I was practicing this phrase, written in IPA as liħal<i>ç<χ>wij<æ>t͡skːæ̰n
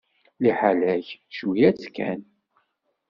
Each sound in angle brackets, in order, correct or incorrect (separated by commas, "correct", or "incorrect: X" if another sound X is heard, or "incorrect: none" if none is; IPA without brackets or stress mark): incorrect: æ, incorrect: ʃ, correct